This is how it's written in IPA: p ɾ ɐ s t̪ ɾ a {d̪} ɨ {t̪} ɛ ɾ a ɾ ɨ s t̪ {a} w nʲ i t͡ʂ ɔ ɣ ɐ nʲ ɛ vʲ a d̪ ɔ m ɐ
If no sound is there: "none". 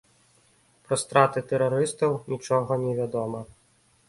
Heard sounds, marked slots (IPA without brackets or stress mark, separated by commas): t̪, t̪, ɐ